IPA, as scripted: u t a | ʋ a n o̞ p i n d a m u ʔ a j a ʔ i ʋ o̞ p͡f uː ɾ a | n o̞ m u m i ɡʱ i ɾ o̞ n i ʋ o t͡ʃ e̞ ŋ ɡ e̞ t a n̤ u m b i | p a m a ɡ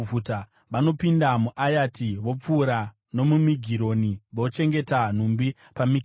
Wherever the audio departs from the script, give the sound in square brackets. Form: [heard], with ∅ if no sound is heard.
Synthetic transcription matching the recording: u t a | ʋ a n o̞ p i n d a m u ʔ a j a [t] i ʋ o̞ p͡f uː ɾ a | n o̞ m u m i ɡʱ i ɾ o̞ n i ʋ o t͡ʃ e̞ ŋ ɡ e̞ t a n̤ u m b i | p a m [i] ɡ